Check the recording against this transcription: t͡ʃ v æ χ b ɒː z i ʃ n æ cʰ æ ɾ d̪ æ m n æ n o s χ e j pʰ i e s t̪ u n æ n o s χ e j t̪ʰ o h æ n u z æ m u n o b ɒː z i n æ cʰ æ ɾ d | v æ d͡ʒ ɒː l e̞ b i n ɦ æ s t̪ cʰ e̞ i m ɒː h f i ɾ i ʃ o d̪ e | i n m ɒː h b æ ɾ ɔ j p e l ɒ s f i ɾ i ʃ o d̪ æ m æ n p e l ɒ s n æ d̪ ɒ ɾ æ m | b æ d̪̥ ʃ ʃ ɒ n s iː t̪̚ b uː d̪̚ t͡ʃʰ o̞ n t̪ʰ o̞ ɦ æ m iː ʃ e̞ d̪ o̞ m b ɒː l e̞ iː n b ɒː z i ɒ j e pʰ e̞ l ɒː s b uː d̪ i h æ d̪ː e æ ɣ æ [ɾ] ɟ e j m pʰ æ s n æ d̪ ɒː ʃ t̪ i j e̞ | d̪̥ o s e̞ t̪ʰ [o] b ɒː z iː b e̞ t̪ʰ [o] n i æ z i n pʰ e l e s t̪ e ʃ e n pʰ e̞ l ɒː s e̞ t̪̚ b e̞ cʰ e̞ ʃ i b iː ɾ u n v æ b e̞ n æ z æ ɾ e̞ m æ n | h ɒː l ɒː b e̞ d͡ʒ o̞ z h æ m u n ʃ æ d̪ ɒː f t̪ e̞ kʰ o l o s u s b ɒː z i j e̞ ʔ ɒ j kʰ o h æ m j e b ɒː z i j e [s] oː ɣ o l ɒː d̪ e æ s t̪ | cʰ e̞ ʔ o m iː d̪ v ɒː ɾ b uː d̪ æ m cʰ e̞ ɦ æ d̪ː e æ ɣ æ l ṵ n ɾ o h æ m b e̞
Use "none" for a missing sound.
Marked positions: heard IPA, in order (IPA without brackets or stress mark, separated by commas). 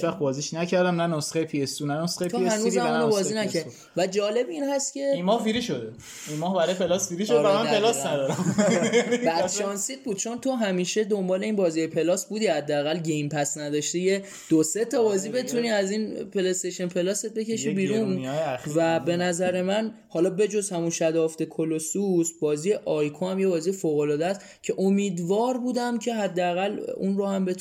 l, ɒ, u, f